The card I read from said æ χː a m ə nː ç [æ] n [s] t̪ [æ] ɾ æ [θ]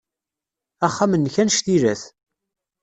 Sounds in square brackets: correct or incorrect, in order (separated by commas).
correct, incorrect, incorrect, correct